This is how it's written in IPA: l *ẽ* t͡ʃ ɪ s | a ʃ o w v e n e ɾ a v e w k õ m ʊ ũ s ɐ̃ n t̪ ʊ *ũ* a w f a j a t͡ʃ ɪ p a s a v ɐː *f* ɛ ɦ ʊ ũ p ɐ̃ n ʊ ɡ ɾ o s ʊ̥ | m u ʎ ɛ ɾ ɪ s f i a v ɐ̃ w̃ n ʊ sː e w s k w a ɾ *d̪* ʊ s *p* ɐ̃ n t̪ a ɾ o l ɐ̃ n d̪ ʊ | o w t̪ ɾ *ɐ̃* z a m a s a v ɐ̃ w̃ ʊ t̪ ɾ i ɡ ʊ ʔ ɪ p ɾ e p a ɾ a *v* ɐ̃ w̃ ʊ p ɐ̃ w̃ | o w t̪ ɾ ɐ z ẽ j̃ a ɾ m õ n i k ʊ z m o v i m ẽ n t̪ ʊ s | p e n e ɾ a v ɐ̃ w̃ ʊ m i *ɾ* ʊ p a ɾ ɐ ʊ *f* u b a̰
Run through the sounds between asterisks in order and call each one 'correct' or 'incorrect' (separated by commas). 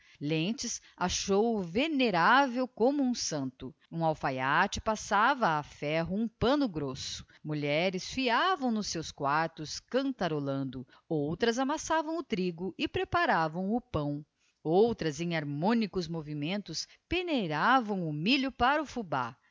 correct, correct, correct, incorrect, incorrect, incorrect, correct, incorrect, correct